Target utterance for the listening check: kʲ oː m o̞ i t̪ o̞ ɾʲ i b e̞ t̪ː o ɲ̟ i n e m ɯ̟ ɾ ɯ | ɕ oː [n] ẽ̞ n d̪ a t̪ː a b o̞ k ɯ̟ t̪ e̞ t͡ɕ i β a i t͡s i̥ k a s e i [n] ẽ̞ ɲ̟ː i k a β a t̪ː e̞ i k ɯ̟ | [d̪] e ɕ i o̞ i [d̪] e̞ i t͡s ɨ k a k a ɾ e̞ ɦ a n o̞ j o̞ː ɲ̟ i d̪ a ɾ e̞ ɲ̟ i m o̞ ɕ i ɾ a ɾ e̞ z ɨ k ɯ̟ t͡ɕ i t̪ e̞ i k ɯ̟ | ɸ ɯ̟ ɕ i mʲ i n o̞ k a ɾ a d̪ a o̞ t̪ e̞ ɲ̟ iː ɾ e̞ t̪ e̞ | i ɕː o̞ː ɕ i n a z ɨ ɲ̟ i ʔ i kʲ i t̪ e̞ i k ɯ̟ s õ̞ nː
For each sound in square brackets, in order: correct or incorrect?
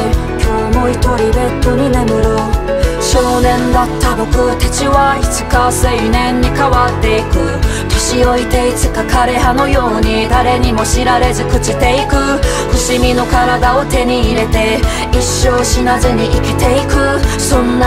correct, correct, incorrect: t̪, incorrect: t̪

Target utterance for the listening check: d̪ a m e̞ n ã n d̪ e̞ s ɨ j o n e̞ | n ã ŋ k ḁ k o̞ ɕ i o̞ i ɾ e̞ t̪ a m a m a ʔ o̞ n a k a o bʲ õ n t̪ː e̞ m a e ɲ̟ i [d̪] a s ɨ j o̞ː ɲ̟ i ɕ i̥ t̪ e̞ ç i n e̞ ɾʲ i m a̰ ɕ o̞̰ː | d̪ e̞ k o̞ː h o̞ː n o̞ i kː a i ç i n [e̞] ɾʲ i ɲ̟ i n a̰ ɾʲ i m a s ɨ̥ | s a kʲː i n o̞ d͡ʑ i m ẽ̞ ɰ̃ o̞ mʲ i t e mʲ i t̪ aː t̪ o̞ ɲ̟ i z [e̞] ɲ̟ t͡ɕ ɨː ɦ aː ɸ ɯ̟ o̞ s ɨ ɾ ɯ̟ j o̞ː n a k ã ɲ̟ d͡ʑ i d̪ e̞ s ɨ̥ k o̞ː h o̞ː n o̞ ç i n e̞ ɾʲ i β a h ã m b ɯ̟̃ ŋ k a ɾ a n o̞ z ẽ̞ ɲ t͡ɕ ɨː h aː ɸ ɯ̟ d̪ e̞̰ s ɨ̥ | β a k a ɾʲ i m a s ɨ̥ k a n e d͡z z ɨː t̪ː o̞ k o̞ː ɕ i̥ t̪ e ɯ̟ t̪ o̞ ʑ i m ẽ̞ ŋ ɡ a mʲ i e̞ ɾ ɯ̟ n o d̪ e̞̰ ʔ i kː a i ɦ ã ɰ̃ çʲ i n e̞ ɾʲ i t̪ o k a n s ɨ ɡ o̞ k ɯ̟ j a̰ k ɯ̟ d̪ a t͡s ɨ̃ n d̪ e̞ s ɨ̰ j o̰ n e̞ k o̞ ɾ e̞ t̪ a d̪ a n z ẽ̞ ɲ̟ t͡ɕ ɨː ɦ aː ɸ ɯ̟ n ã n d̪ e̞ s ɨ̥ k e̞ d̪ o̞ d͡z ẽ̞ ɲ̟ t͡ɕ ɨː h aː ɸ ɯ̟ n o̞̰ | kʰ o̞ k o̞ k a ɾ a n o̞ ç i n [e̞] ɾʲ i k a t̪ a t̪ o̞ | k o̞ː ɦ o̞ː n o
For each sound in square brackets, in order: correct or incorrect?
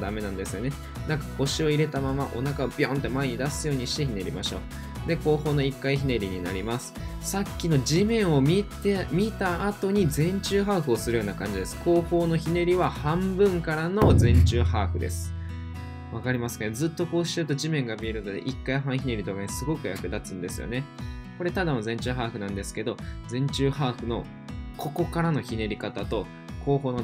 correct, correct, incorrect: ẽ̞, correct

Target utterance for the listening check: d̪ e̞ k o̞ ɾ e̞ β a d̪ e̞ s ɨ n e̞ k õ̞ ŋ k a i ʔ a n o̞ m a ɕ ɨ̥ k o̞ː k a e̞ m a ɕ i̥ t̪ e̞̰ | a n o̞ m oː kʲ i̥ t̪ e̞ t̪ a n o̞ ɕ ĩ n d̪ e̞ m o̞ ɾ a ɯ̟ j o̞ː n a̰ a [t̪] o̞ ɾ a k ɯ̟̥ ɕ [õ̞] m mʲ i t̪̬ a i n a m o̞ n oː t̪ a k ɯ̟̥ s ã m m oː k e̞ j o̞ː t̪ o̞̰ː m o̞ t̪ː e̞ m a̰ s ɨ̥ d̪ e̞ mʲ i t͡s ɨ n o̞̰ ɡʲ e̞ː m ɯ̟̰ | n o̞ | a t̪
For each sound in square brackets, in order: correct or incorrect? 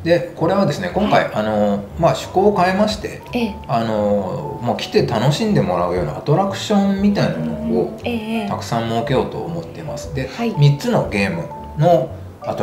correct, correct

